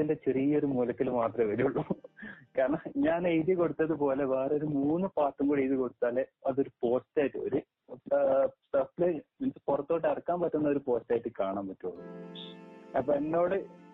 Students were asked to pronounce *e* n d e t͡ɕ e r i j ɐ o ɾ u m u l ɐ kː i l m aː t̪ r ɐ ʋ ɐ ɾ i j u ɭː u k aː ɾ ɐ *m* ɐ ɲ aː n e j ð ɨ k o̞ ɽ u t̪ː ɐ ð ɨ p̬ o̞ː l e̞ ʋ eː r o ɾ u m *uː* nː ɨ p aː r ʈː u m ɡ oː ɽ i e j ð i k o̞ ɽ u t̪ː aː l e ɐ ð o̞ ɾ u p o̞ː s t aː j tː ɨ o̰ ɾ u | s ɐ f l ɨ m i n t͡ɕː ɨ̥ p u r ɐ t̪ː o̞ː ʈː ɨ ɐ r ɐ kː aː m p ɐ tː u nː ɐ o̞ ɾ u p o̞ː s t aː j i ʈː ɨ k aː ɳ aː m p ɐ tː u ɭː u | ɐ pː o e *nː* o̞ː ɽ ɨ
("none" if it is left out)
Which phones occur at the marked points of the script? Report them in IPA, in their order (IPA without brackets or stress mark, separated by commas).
i, ɳ, uː, nː